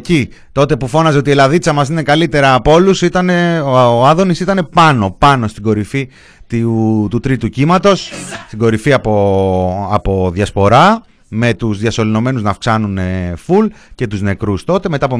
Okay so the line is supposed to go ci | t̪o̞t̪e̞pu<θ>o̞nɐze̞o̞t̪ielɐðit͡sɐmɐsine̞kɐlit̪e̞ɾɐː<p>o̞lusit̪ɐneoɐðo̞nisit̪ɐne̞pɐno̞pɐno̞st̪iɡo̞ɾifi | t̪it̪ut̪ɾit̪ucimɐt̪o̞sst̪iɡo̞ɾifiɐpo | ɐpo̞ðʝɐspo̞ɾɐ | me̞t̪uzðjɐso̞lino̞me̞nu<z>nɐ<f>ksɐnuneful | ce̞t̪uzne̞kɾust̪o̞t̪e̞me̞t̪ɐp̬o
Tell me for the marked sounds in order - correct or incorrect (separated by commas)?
incorrect, correct, correct, correct